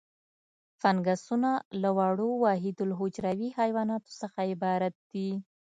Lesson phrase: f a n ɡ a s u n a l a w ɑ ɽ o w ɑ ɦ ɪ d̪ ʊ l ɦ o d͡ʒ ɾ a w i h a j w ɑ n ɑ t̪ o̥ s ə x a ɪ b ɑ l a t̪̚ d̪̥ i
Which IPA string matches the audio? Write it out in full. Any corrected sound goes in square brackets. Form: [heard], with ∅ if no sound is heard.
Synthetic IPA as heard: f a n ɡ a s u n a l a w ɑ ɽ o w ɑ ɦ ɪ d̪ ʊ l ɦ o d͡ʒ ɾ a w i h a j w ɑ n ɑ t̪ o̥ s ə x a ɪ b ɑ [ɾ] a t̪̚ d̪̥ i